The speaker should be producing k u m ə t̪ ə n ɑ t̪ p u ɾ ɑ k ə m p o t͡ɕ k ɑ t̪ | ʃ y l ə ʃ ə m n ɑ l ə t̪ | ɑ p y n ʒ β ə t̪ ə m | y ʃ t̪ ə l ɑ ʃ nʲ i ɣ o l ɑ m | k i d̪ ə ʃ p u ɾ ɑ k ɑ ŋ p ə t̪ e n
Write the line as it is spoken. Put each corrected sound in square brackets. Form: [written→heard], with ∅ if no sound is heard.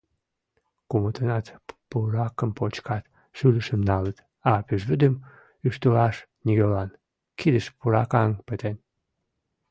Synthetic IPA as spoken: k u m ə t̪ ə n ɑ t̪ p u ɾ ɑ k ə m p o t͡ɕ k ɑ t̪ | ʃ y l ə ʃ ə m n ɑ l ə t̪ | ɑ p y [n→∅] ʒ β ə [t̪→d̪] ə m | y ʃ t̪ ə l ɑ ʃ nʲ i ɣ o l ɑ [m→n] | k i d̪ ə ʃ p u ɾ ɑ k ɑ ŋ p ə t̪ e n